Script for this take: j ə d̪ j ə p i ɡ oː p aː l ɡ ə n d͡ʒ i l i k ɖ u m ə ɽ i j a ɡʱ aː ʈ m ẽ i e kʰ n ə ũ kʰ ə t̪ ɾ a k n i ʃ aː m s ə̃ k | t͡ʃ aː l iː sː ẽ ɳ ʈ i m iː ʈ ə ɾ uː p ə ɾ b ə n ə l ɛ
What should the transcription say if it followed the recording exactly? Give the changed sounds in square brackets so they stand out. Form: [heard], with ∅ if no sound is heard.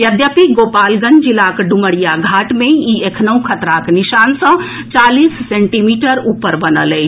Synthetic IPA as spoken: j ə d̪ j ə p i ɡ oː p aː l ɡ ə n d͡ʒ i l [a] k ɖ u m ə ɽ i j a ɡʱ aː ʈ m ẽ i e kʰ n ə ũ kʰ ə t̪ ɾ a k n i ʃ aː [n] s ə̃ [∅] | t͡ʃ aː l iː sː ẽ ɳ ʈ i m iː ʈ ə ɾ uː p ə ɾ b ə n ə l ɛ